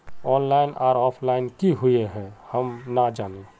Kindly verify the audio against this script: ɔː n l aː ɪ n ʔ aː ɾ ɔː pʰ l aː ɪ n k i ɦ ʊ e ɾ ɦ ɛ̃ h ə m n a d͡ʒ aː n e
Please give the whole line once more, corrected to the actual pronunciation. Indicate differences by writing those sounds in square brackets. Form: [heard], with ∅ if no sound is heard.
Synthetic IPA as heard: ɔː n l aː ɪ n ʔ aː ɾ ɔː pʰ l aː ɪ n k i ɦ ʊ e [∅] ɦ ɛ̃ h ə m n a d͡ʒ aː n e